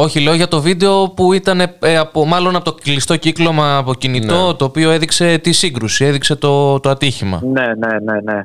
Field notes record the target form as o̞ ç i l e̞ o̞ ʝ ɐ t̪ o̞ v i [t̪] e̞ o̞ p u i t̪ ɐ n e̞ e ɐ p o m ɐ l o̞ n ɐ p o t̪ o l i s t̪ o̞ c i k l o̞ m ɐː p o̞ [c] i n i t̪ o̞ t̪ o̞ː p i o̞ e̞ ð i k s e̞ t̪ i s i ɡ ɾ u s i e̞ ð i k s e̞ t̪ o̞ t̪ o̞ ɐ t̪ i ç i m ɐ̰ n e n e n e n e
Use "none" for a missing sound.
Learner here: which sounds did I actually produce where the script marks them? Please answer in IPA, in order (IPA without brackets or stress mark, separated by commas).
d̪, c